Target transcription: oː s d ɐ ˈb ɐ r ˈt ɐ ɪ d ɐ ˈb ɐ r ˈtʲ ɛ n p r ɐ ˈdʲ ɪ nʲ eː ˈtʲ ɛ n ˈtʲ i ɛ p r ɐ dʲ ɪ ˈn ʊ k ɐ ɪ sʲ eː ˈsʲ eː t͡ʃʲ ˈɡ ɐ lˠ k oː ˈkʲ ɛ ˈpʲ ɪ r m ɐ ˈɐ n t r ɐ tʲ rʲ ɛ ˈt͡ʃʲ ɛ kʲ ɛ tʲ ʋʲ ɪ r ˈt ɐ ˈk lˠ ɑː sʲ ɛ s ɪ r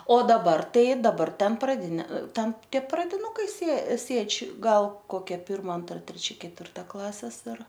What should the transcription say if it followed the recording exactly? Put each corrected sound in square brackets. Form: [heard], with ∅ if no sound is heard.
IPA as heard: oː [∅] d ɐ ˈb ɐ r ˈt ɐ ɪ d ɐ ˈb ɐ r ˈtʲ ɛ n p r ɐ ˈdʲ ɪ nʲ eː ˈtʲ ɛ n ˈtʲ i ɛ p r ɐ dʲ ɪ ˈn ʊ k ɐ ɪ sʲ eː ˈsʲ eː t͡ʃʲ ˈɡ ɐ lˠ k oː ˈkʲ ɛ ˈpʲ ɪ r m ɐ ˈɐ n t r ɐ tʲ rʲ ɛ ˈt͡ʃʲ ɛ kʲ ɛ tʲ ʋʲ ɪ r ˈt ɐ ˈk lˠ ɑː sʲ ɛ s ɪ r